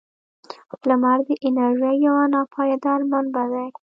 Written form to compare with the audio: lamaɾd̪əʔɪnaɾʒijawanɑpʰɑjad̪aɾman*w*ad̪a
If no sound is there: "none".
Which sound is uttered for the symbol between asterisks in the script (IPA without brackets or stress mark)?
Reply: b